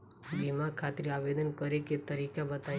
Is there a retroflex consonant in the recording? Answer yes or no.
no